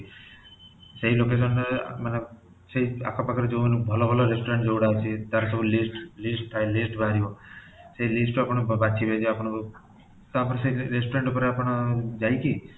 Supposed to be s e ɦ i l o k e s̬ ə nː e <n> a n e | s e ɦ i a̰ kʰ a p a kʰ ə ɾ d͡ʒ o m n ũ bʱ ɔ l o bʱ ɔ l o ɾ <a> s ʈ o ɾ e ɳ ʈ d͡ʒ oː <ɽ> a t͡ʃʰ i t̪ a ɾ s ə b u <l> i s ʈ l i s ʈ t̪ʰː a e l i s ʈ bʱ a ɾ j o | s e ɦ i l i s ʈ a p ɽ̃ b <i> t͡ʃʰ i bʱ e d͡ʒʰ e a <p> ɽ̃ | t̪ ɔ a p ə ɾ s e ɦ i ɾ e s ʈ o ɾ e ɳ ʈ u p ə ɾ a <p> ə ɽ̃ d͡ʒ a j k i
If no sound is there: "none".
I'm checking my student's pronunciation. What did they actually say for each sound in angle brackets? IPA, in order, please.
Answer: m, e, ɽ, l, a, p, p

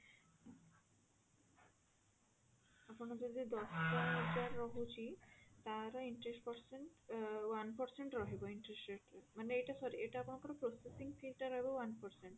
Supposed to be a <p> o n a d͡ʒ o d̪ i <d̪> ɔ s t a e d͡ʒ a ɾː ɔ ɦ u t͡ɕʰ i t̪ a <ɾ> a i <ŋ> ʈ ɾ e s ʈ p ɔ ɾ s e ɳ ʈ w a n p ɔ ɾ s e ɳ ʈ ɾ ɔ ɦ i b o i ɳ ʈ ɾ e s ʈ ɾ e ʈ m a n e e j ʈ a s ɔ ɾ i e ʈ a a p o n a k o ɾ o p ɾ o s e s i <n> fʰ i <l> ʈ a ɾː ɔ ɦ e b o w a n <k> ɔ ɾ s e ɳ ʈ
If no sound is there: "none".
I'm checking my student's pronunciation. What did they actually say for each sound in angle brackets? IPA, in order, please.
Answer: p, d̪, ɾ, ɳ, ŋ, l, p

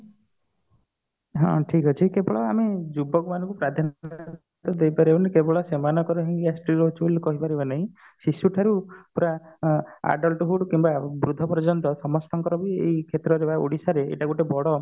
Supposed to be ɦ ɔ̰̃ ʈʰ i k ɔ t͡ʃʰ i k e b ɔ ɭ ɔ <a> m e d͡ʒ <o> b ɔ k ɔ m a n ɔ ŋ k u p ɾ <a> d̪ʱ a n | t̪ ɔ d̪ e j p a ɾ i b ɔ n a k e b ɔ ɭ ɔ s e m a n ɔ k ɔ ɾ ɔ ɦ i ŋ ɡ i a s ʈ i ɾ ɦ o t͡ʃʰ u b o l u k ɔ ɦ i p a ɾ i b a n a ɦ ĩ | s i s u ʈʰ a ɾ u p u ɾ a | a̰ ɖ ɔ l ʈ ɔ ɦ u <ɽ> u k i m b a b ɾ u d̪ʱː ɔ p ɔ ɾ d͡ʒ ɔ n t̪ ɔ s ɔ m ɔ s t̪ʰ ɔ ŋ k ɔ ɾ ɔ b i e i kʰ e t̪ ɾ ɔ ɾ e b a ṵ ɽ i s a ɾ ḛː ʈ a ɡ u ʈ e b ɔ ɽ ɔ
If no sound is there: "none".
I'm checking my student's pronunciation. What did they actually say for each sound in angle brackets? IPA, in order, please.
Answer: a, u, a, ɽ

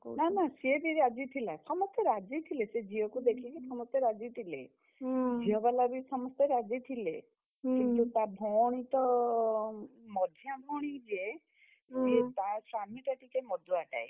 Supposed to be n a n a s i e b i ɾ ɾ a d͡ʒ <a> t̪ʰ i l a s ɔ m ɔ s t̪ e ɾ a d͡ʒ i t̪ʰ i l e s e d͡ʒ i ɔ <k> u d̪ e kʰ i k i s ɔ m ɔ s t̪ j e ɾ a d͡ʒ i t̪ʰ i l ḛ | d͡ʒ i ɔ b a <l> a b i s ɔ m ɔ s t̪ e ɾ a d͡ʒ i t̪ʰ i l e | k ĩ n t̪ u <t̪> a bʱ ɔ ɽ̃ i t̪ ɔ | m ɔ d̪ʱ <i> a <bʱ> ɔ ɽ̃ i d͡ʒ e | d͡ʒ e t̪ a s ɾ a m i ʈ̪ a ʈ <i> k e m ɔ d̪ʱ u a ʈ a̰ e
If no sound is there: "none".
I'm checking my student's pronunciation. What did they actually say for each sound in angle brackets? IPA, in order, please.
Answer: i, k, l, t̪, j, bʱ, i

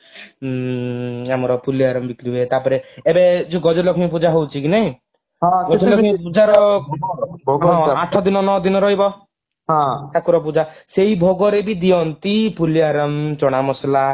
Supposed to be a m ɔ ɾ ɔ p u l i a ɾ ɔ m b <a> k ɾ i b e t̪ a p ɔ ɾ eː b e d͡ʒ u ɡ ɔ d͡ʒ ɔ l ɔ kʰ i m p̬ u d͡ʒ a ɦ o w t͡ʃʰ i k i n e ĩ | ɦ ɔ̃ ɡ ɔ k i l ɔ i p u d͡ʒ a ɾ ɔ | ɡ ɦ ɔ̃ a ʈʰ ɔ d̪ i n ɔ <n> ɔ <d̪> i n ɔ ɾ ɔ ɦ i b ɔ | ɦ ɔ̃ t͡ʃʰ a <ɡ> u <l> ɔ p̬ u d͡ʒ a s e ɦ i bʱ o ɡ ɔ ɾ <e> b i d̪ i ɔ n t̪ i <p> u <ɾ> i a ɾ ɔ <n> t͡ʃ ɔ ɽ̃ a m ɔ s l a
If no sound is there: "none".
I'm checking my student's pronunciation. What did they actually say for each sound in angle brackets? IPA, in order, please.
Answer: i, n, d̪, k, ɾ, e, p, l, m

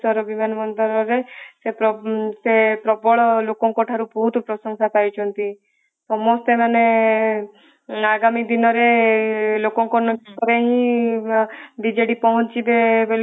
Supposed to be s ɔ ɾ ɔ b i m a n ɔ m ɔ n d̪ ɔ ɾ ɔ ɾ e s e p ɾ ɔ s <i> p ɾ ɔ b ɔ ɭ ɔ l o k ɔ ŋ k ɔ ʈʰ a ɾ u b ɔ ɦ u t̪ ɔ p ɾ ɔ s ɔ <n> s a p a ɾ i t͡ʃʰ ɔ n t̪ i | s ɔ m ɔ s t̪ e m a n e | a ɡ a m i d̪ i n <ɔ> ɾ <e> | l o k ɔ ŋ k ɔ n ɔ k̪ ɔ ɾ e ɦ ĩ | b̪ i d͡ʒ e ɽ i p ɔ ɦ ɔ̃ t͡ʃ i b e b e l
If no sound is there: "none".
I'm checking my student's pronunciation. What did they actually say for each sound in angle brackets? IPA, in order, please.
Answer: e, ŋ, ɔ, e

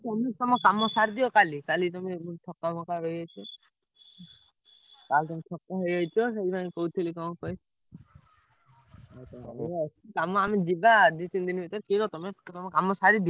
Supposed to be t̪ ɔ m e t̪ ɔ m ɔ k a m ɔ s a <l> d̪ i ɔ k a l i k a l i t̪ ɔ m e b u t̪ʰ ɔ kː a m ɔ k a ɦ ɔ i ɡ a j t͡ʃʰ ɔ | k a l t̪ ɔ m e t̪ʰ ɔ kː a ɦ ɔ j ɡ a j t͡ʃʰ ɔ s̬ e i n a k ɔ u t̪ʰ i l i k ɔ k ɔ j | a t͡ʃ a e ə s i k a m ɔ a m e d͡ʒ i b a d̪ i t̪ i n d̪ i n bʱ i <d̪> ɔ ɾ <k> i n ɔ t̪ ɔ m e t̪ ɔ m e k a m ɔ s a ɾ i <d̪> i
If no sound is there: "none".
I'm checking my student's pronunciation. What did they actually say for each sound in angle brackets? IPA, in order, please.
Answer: ɾ, t̪, k, d̪

